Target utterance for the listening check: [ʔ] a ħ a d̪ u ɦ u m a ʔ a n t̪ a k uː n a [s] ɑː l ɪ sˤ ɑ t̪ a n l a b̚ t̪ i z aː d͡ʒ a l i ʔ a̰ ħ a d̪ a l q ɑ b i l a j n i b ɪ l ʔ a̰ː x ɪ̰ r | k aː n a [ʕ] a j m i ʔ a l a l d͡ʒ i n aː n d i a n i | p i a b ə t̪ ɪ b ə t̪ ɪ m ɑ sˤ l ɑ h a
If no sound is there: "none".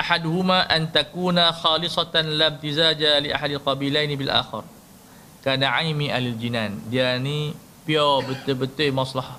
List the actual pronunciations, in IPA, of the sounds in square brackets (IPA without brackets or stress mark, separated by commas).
ʔ, x, ʕ